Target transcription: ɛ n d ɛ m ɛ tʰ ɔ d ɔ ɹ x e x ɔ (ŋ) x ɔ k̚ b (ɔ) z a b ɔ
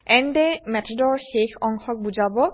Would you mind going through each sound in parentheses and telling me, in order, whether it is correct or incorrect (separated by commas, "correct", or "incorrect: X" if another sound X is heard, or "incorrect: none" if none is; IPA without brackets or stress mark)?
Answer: correct, incorrect: u